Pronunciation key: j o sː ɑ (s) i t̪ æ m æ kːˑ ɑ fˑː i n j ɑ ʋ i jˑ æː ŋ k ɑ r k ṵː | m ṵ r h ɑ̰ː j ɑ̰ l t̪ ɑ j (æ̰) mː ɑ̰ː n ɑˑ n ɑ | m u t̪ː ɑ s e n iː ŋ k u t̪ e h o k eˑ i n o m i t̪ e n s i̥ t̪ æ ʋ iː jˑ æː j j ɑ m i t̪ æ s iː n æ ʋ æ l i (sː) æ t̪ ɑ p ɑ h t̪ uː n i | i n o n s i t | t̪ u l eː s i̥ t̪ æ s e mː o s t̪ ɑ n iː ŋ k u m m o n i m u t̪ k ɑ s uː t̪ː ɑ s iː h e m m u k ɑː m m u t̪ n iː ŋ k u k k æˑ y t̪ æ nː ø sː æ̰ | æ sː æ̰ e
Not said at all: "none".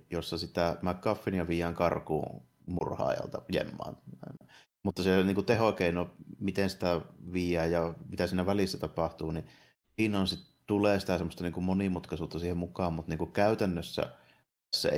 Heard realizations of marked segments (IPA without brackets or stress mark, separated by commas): s, ḛ, sː